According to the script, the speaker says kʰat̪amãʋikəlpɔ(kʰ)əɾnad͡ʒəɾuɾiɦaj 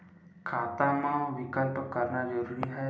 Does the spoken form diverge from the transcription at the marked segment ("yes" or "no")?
yes